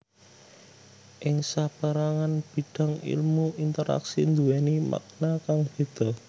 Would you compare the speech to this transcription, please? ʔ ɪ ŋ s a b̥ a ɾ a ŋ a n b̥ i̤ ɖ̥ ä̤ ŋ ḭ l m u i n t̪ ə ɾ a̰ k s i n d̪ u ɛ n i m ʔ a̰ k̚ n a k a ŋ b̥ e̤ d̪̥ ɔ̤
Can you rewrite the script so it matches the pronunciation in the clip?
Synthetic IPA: ʔ ɪ ŋ s a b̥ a ɾ a ŋ a n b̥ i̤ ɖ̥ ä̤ ŋ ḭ l m u i n t̪ ə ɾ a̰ k s i n d̪ u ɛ n i m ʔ a̰ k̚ n a k a ŋ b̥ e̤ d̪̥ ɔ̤